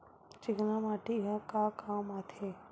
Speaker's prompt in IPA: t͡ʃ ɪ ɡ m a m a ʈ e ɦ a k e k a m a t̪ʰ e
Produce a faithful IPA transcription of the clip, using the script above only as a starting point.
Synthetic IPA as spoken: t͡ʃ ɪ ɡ n a m a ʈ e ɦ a k a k a m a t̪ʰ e